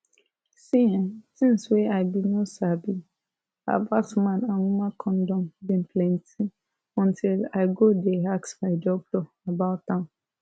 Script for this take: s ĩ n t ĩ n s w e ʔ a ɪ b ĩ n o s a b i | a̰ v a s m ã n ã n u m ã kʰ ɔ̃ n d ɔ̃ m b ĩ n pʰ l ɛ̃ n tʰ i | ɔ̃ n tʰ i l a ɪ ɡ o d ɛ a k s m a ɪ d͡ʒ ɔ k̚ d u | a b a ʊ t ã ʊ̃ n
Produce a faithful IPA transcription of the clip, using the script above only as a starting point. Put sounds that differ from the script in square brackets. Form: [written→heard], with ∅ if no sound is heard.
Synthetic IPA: s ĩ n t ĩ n s w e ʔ a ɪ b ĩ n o s a b i | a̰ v a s m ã n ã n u m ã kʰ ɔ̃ n d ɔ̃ m b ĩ n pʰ l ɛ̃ n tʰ i | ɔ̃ n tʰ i l a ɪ ɡ o d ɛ a k s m a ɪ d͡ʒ ɔ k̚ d [u→ɔ] | a b a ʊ t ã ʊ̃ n

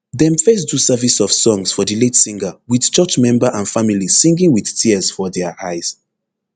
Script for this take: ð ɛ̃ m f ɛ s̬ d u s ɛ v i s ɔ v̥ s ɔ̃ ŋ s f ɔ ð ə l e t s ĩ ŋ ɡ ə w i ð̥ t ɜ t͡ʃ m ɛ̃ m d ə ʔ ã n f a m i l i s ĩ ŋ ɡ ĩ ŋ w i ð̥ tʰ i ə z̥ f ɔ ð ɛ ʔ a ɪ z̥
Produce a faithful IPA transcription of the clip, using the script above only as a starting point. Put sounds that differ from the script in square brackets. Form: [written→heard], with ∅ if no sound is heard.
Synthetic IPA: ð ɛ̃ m f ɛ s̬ d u s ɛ v i s ɔ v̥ s ɔ̃ ŋ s f ɔ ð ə l e t s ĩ ŋ ɡ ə w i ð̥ [t→t͡ʃ] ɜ t͡ʃ m ɛ̃ m [d→b] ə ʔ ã n f a m i l i s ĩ ŋ ɡ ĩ ŋ w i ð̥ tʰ i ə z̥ f ɔ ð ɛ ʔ a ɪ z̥

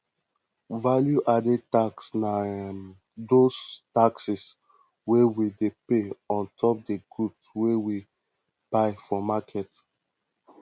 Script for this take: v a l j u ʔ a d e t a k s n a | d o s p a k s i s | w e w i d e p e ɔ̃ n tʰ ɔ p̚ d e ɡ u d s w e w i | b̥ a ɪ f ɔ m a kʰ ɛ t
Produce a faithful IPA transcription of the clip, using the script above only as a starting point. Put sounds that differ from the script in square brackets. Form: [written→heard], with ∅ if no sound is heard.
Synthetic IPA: v a l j u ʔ a d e t a k s n a | d o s [p→t] a k s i s | w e w i d e p e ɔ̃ n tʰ ɔ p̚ d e ɡ u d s w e w i | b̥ a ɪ f ɔ m a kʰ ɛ t

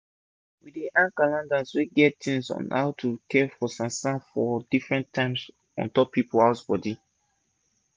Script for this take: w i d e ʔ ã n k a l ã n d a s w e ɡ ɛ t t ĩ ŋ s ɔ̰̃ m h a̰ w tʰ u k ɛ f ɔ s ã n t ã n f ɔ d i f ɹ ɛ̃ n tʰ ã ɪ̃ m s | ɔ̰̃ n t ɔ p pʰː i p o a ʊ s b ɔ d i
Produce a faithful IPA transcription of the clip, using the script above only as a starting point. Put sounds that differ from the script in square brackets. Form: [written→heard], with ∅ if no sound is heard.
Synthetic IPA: w i d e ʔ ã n k a l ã n d a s w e ɡ ɛ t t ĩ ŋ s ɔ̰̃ [m→n] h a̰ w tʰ u k ɛ f ɔ s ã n [t→s] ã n f ɔ d i f ɹ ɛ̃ n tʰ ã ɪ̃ m s | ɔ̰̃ n t ɔ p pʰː i p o a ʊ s b ɔ d i

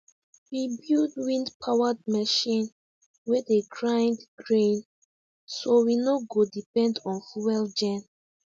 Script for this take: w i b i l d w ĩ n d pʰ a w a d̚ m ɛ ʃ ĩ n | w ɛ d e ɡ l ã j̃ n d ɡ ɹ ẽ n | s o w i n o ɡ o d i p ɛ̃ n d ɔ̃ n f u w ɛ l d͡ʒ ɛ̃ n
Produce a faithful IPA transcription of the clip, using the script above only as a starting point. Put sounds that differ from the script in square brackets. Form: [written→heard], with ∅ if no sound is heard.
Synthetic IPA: w i b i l d w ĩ n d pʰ a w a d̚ m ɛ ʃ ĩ n | w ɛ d e ɡ [l→ɹ] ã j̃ n d ɡ ɹ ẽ n | s o w i n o ɡ o d i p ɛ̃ n d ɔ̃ n f u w ɛ l d͡ʒ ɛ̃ n

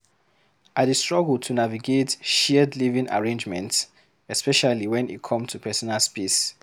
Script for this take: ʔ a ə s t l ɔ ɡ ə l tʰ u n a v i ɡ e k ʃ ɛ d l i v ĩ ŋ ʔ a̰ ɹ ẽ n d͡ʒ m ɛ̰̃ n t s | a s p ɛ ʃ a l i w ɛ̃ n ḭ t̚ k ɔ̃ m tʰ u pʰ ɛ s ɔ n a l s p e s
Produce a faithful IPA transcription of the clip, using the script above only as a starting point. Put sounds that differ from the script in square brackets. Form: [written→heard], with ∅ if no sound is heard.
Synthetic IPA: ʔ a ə s t [l→ɹ] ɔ ɡ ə l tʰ u n a v i ɡ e [k→t] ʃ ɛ d l i v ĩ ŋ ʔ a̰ ɹ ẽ n d͡ʒ m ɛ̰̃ n t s | [a→ɛ] s p ɛ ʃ a l i w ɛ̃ n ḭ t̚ [k→kʰ] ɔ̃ m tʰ u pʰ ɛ s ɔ n a l s p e s

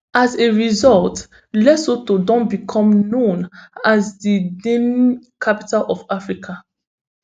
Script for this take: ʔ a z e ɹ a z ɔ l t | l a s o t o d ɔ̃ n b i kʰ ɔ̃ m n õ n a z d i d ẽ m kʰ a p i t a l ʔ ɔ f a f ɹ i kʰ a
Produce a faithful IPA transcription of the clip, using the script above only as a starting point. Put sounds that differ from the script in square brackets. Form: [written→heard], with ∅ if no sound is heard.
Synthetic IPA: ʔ a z e ɹ [a→i] z ɔ l t | l [a→ɛ] s o t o d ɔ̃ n b i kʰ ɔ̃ m n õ n a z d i d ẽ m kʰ a p i t a l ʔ ɔ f a f ɹ i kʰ a

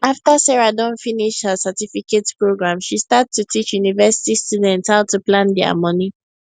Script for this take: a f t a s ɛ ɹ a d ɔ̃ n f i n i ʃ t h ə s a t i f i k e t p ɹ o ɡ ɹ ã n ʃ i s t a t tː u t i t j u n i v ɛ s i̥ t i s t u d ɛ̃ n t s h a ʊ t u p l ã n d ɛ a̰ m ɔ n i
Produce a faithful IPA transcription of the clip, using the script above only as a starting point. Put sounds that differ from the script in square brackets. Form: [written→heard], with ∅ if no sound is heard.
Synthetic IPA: a f t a s ɛ ɹ a d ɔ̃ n f i n i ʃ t h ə s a t i f i k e t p ɹ o ɡ ɹ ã [n→m] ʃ i s t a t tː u t i [t→t͡ʃ] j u n i v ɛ s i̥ t i s t u d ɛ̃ n t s h a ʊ t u p l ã n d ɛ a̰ m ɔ n i

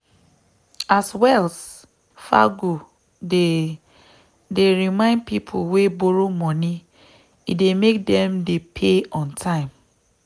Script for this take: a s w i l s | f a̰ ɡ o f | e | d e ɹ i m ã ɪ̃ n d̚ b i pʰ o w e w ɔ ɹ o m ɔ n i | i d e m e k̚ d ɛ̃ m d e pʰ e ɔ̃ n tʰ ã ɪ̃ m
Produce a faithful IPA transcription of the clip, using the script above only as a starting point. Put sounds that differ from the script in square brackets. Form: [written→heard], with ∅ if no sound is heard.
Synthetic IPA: a s w [i→ɛ] l s | f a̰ ɡ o [f→∅] | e | d e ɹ i m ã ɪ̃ n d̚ [b→p] i pʰ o w e [w→b] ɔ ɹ o m ɔ n i | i d e m e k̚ d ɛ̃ m d e pʰ e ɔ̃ n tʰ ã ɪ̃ m

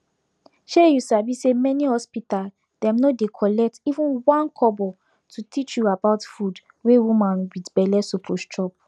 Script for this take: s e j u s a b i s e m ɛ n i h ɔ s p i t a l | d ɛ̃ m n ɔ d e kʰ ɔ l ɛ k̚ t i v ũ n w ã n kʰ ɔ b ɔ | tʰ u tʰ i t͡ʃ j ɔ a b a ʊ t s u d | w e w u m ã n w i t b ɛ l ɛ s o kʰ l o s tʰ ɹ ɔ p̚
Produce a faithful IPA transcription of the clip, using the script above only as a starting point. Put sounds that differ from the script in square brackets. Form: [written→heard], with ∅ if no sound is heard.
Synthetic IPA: [s→ʃ] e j u s a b i s e m ɛ n i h ɔ s p i t a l | d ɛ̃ m n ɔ d e kʰ ɔ l ɛ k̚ t i v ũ n w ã n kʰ ɔ b ɔ | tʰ u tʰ i t͡ʃ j [ɔ→u] a b a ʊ t [s→f] u d | w e w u m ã n w i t b ɛ l ɛ s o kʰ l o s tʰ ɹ ɔ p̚

